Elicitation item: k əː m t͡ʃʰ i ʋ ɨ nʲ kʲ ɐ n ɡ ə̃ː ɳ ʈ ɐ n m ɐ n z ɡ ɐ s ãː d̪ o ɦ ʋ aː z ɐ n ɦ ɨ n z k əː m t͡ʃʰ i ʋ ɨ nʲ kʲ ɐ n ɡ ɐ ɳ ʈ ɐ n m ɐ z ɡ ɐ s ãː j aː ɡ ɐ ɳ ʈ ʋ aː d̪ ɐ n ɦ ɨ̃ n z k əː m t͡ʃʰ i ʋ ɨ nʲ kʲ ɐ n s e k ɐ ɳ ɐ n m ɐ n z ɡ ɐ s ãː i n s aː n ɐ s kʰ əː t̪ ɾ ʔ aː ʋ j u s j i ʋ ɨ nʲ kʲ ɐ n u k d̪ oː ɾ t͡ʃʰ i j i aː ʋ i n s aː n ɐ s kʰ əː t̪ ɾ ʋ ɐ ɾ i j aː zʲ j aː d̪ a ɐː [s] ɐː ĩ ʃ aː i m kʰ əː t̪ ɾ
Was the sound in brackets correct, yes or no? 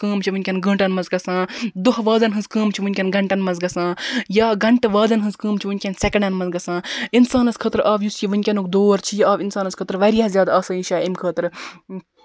yes